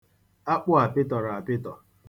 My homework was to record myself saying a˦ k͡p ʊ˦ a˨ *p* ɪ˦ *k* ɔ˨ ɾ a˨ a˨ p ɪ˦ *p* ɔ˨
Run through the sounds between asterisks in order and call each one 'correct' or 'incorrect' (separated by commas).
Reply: correct, incorrect, incorrect